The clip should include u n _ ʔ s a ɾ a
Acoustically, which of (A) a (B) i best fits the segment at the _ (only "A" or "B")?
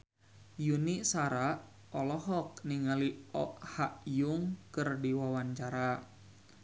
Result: B